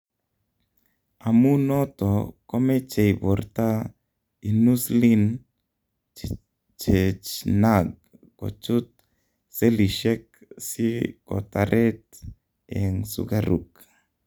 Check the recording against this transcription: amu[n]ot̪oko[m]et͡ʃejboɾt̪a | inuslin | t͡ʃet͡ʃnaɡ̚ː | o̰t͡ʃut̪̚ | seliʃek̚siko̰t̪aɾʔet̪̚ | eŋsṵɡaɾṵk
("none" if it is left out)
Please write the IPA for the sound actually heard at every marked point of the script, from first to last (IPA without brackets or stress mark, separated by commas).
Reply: n, m